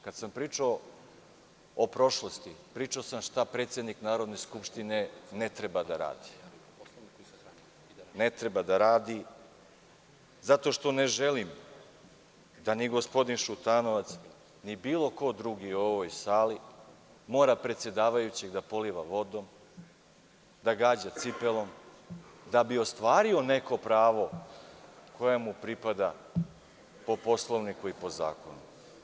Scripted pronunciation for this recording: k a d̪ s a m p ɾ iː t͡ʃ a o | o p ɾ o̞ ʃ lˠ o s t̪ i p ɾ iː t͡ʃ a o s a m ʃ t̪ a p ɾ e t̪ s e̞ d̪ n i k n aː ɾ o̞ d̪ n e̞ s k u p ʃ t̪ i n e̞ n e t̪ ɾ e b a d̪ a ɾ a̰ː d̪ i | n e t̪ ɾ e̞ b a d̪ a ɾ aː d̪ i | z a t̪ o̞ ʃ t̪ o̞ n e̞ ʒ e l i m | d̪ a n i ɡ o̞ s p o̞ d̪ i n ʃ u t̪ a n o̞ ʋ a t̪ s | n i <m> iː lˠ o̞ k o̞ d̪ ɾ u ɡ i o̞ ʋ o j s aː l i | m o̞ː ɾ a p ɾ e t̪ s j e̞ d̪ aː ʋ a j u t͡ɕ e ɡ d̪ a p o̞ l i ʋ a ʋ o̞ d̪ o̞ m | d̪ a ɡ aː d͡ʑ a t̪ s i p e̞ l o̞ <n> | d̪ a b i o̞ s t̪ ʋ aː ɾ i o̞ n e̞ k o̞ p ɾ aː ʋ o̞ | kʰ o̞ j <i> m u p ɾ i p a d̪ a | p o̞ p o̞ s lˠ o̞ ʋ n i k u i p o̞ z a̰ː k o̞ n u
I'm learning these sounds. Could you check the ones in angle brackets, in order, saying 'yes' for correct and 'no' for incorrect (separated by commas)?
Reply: no, no, no